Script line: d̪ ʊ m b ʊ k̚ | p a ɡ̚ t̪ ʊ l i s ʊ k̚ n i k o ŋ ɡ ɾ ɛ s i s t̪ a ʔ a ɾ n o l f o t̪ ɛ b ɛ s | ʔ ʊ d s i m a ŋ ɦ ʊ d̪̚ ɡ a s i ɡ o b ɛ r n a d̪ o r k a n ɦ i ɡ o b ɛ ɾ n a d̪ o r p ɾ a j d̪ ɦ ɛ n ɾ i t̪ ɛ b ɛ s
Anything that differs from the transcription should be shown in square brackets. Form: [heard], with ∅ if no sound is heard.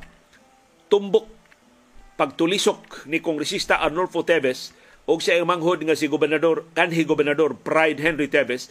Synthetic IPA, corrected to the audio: [t̪] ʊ m b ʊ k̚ | p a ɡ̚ t̪ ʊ l i s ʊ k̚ n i k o ŋ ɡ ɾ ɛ s i s t̪ a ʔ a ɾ n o l f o t̪ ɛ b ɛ s | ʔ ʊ [ɡ] s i m a ŋ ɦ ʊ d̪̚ [ŋ] a s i ɡ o b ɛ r n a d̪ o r k a n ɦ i ɡ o b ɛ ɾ n a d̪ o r p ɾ a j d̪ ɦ ɛ n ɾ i t̪ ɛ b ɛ s